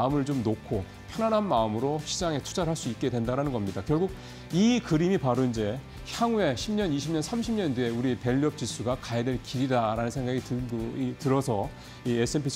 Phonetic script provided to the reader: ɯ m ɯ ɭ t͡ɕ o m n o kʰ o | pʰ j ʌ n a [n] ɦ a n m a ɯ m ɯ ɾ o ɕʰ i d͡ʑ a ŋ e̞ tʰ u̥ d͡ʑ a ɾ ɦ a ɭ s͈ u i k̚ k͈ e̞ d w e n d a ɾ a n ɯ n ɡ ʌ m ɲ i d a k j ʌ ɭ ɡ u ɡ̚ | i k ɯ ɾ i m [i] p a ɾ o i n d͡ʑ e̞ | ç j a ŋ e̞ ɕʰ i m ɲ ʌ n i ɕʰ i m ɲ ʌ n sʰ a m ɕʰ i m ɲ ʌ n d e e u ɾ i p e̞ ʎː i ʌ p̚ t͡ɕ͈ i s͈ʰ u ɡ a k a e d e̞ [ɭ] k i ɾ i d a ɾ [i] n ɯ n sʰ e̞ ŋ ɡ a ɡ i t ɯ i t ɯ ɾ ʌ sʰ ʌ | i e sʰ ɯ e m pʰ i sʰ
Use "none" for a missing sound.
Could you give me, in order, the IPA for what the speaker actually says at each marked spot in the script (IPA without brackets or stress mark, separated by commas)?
n, i, ɭ, a